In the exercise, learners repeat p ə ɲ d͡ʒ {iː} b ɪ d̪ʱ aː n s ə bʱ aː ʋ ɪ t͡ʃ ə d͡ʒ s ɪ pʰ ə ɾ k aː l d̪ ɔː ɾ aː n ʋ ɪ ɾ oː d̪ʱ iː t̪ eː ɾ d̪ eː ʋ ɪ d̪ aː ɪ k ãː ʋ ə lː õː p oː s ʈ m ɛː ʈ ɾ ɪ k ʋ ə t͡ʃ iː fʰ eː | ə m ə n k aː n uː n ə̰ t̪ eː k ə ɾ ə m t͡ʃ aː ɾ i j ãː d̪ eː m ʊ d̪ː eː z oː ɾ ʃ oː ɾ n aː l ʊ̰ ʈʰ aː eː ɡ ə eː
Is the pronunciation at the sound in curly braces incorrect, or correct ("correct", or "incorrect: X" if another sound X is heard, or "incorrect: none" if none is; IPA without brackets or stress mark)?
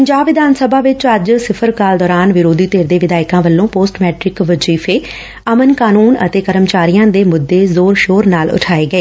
incorrect: aː